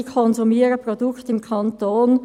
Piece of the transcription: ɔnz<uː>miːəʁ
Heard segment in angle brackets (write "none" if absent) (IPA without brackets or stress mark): u